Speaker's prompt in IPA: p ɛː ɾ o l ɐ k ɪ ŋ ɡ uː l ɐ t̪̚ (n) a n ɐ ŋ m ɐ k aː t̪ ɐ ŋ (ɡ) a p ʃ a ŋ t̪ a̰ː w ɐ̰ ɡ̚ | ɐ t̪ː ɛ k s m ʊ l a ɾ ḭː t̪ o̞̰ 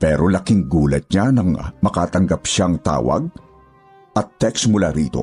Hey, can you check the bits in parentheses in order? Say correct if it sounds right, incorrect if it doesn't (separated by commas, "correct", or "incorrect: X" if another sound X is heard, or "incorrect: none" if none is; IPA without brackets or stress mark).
incorrect: ɲ, correct